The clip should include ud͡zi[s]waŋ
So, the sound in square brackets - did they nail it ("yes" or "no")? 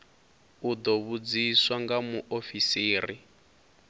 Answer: yes